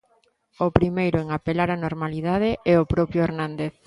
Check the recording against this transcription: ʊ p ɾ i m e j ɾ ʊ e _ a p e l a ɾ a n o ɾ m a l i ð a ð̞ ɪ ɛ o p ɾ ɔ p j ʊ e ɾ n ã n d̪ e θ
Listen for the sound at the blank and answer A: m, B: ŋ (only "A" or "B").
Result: B